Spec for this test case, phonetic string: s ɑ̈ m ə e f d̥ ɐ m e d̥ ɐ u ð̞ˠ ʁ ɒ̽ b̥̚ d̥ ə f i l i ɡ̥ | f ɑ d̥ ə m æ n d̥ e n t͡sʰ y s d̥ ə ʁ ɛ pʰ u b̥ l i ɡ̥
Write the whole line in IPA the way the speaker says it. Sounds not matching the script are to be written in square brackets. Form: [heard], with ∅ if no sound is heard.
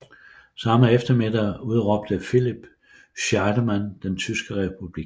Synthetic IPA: s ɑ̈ m ə e f d̥ ɐ m e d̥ ɐ u ð̞ˠ ʁ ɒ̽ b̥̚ d̥ ə f i l i [b̥] | [ɕ] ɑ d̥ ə m æ n d̥ e n t͡sʰ y s [ɡ̥] ə ʁ ɛ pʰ u b̥ l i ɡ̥

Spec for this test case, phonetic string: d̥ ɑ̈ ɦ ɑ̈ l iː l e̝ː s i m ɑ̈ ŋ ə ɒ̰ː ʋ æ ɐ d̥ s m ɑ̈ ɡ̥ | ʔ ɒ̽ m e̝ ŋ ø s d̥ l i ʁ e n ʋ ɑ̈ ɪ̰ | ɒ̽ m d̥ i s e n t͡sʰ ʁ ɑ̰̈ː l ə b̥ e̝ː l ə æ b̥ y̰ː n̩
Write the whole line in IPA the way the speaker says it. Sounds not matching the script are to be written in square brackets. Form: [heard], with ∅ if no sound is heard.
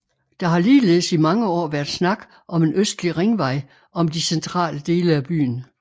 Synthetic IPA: d̥ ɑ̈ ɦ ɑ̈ l iː l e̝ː s i m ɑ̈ ŋ ə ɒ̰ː ʋ æ ɐ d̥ s [n] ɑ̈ ɡ̥ | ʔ ɒ̽ m e̝ [n] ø s d̥ l i ʁ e [ŋ] ʋ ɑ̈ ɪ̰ | ɒ̽ m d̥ i s e n t͡sʰ ʁ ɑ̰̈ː l ə [d̥] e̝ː l ə æ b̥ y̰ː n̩

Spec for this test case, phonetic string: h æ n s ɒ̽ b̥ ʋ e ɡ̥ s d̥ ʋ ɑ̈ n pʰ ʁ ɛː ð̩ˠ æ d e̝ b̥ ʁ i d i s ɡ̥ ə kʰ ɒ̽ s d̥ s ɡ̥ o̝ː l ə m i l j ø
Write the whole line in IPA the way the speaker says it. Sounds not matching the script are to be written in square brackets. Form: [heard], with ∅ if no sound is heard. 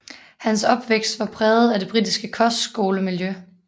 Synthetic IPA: h æ n s ɒ̽ b̥ ʋ e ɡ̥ s d̥ ʋ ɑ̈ [∅] pʰ ʁ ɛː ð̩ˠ æ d e̝ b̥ ʁ i d i s ɡ̥ ə kʰ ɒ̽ s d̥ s ɡ̥ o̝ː l ə m i l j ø

